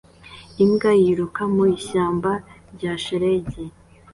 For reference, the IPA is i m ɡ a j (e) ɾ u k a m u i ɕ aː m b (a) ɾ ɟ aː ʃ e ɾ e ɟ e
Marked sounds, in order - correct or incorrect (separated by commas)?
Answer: incorrect, correct